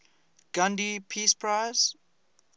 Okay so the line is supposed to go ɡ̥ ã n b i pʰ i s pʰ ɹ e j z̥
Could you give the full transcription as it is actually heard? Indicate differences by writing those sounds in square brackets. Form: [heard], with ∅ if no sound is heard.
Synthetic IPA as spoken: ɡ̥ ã n [d] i pʰ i s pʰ ɹ [a] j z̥